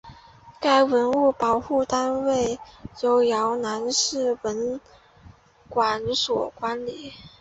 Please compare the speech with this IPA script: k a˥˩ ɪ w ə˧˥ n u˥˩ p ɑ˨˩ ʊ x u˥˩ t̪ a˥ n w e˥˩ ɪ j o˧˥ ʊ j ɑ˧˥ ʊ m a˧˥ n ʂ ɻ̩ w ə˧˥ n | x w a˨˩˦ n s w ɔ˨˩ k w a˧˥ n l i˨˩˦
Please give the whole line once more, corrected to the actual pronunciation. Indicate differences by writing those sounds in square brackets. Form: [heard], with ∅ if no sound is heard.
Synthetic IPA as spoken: k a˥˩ ɪ w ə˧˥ n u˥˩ p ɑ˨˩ ʊ x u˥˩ t̪ a˥ n w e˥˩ ɪ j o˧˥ ʊ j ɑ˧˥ ʊ [n] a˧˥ n ʂ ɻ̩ w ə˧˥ n | [k] w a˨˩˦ n s w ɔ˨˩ k w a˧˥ n l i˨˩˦